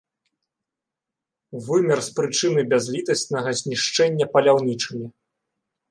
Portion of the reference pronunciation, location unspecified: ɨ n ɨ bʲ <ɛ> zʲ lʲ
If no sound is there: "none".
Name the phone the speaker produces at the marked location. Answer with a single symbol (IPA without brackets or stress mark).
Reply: a